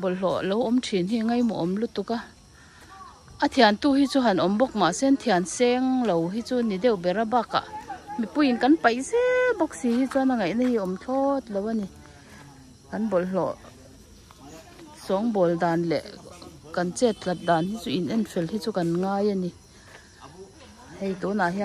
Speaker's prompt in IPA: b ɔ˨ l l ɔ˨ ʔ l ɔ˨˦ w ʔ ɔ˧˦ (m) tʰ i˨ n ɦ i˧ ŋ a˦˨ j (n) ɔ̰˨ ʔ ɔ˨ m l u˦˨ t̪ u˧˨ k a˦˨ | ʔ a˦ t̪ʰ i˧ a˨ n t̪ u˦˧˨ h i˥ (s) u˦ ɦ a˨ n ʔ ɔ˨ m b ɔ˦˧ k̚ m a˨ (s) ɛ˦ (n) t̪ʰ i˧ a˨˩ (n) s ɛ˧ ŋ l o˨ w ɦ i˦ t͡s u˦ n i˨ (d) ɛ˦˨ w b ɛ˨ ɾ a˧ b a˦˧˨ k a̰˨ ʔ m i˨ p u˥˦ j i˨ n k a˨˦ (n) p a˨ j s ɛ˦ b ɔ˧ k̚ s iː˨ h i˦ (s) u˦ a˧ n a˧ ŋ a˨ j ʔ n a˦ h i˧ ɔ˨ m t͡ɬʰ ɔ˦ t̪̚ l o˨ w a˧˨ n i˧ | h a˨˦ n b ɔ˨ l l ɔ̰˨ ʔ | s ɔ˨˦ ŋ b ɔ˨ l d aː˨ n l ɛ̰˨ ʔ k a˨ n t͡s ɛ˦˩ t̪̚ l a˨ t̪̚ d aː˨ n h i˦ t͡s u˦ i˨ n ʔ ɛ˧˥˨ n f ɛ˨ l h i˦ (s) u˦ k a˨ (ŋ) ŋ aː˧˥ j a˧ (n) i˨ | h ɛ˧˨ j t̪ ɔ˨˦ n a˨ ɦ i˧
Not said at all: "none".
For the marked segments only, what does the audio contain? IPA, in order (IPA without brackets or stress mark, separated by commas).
m, m, t͡s, s, n, n, d, n, t͡s, t͡s, n, n